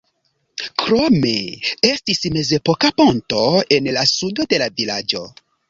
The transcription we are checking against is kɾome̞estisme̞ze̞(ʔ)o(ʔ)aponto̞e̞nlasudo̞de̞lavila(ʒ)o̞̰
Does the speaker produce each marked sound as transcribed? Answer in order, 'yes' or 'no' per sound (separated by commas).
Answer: no, no, no